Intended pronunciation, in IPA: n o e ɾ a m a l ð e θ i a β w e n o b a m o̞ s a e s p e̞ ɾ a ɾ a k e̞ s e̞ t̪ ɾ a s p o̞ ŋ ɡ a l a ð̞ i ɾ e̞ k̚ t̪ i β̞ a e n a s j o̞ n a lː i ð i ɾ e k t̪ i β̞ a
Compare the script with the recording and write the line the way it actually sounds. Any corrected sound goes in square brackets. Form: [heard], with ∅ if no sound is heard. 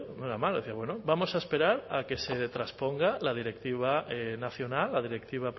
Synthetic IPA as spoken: n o e ɾ a m a l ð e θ i a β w e n o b a m o̞ s a e s p e̞ ɾ a ɾ a k e̞ s e̞ t̪ ɾ a s p o̞ ŋ ɡ a l a ð̞ i ɾ e̞ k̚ t̪ i β̞ a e n a [θ] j o̞ n a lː [a] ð i ɾ e k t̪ i β̞ a

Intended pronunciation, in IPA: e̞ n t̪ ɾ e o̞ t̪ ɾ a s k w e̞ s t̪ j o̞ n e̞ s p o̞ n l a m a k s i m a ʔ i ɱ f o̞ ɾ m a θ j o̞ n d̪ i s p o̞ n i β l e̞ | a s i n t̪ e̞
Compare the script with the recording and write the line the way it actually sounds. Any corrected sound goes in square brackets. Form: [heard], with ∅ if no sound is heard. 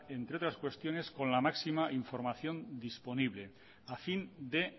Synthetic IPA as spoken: e̞ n t̪ ɾ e o̞ t̪ ɾ a s k w e̞ s t̪ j o̞ n e̞ s [k] o̞ n l a m a k s i m a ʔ i ɱ f o̞ ɾ m a θ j o̞ n d̪ i s p o̞ n i β l e̞ | a [f] i n [d̪] e̞

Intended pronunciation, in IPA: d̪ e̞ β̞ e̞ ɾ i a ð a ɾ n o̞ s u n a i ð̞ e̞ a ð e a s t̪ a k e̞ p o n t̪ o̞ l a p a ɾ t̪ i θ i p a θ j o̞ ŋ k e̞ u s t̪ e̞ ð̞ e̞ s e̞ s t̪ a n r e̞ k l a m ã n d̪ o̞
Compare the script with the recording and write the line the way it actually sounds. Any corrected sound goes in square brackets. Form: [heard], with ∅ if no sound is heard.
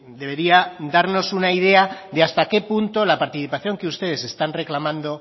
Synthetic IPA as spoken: d̪ e̞ β̞ e̞ ɾ i a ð a ɾ n o̞ s u n a i ð̞ e̞ a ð e a s t̪ a k e̞ p [u] n t̪ o̞ l a p a ɾ t̪ i θ i p a θ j o̞ ŋ k e̞ u s t̪ e̞ ð̞ e̞ s e̞ s t̪ a n r e̞ k l a m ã n d̪ o̞

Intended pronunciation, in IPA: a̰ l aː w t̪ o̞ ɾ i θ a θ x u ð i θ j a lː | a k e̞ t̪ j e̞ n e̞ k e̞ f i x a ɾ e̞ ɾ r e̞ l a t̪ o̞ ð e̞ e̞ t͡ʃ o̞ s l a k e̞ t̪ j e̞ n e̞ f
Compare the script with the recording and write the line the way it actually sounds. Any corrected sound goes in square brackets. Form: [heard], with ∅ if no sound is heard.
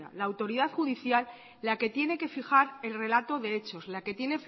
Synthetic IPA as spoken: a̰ l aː w t̪ o̞ ɾ i [ð] a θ x u ð i θ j a lː | a k e̞ t̪ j e̞ n e̞ k e̞ f i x a ɾ e̞ [l] r e̞ l a t̪ o̞ ð e̞ e̞ t͡ʃ o̞ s l a k e̞ t̪ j e̞ n e̞ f

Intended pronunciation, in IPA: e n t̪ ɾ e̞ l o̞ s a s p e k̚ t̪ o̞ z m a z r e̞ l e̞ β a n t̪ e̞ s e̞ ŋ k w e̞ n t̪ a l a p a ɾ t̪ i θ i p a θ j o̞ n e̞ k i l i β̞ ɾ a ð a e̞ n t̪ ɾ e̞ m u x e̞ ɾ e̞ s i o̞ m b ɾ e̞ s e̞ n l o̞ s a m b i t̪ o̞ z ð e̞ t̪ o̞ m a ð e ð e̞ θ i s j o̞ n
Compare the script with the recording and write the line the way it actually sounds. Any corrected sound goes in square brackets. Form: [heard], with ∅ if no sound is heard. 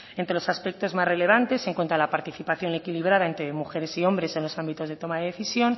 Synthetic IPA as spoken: e n t̪ ɾ e̞ l o̞ s a s p e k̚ t̪ o̞ z m a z r e̞ l e̞ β a n t̪ e̞ s e̞ ŋ k w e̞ n t̪ a l a p a ɾ t̪ i θ i p a θ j o̞ n e̞ k i l i β̞ ɾ a ð a e̞ n t̪ ɾ e̞ m u x e̞ ɾ e̞ s i o̞ m b ɾ e̞ s e̞ n l o̞ s a m b i t̪ o̞ z ð e̞ t̪ o̞ m a ð e ð e̞ θ i s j o̞ n

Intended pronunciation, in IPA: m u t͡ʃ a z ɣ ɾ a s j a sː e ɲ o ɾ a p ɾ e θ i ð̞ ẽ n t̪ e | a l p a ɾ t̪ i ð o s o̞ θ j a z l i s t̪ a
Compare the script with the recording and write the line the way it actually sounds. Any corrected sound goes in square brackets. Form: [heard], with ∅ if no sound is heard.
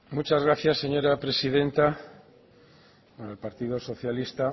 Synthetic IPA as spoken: m u t͡ʃ a z ɣ ɾ a [θ] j a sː e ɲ o ɾ a p ɾ e [s] i ð̞ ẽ n t̪ [a] | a l p a ɾ t̪ i ð o s o̞ θ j a [∅] l i s t̪ a

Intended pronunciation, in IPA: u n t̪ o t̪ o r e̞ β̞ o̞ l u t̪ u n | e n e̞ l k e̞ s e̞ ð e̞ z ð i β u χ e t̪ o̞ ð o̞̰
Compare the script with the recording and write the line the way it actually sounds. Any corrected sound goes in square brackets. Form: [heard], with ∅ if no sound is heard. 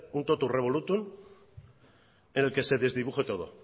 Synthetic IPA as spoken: u n t̪ o t̪ [u] r e̞ β̞ o̞ l u t̪ u n | e n e̞ l k e̞ s e̞ ð e̞ z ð i β u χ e t̪ o̞ ð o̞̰

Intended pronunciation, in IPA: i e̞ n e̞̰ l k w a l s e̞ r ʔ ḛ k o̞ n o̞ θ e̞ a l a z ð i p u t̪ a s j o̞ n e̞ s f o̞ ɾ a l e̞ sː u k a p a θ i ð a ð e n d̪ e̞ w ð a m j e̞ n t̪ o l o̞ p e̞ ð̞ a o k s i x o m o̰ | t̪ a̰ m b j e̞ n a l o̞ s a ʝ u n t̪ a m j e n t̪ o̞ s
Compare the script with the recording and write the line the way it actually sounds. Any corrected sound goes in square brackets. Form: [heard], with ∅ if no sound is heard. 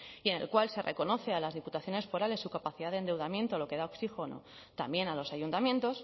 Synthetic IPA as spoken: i e̞ n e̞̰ l k w a l s e̞ r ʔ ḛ k o̞ n o̞ θ e̞ a l a z ð i p u t̪ a [θ] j o̞ n e̞ s f o̞ ɾ a l e̞ sː u k a p a θ i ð a ð e n d̪ e̞ w ð a m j e̞ n t̪ o l o̞ [k] e̞ ð̞ a o k s i x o [n] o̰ | t̪ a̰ m b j e̞ n a l o̞ s a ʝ u n t̪ a m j e n t̪ o̞ s

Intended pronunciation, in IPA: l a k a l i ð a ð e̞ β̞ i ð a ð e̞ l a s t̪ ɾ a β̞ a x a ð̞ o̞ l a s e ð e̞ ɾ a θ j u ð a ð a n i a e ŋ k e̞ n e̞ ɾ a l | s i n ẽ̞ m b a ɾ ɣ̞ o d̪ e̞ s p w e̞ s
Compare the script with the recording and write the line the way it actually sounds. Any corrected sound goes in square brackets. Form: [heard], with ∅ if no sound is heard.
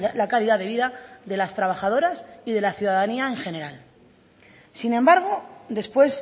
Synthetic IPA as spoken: l a k a l i ð a ð e̞ β̞ i ð a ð e̞ l a s t̪ ɾ a β̞ a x a ð̞ o̞ [ɾ] a s [i] ð e̞ [l] a θ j u ð a ð a n i a e ŋ [x] e̞ n e̞ ɾ a l | s i n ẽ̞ m b a ɾ ɣ̞ o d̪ e̞ s p w e̞ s

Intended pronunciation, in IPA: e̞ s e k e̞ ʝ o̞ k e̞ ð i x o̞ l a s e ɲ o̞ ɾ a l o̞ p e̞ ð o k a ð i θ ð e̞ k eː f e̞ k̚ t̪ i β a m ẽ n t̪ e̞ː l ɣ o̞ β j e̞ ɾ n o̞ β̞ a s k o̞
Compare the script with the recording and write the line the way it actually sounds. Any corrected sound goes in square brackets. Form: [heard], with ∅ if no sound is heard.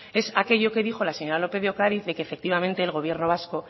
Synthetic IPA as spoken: e̞ s [a] k e̞ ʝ o̞ k e̞ ð i x o̞ l a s e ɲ o̞ ɾ a l o̞ p e̞ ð o k a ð i θ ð e̞ k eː f e̞ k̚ t̪ i β a m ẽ n t̪ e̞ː l ɣ o̞ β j e̞ ɾ n o̞ β̞ a s k o̞

